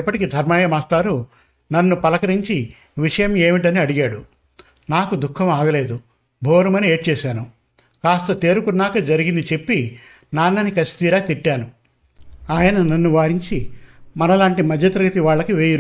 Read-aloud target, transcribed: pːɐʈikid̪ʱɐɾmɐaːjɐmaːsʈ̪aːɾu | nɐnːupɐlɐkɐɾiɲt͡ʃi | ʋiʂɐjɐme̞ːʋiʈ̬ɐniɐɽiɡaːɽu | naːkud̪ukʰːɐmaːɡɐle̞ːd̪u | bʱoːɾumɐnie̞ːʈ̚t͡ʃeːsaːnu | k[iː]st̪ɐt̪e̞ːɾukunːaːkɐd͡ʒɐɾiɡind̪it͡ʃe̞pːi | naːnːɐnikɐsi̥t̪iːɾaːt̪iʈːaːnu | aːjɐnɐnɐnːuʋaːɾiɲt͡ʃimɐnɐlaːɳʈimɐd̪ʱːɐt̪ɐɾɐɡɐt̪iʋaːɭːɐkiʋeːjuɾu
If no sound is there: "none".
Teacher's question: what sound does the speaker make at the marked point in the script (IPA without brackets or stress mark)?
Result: aː